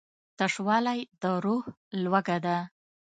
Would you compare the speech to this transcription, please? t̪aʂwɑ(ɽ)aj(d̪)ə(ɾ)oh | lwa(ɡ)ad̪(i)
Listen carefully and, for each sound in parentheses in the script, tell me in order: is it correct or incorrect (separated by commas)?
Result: incorrect, correct, correct, correct, incorrect